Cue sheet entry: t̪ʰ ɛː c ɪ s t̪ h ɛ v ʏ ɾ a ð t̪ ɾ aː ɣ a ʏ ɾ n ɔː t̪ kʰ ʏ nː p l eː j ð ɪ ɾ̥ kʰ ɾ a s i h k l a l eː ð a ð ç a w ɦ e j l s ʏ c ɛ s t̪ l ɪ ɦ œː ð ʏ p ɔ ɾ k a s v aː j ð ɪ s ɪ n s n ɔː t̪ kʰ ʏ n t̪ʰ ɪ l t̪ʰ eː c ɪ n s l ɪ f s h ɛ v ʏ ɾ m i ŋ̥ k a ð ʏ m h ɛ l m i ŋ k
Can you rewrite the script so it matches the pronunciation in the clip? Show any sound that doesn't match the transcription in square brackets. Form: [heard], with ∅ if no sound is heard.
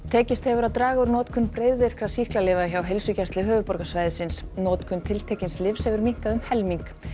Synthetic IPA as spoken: t̪ʰ ɛː c ɪ s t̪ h ɛ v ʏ ɾ a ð t̪ ɾ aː ɣ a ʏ ɾ n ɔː t̪ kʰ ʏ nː p [ɾ] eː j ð ɪ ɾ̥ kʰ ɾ a s i h k l a l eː [v] a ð ç a w ɦ e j l s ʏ c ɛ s t̪ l ɪ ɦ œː [v] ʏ p ɔ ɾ k a s v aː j ð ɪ s ɪ n s n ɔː t̪ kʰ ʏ n t̪ʰ ɪ l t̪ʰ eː c ɪ n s l ɪ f s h ɛ v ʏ ɾ m i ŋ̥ k a ð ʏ m h ɛ l m i ŋ k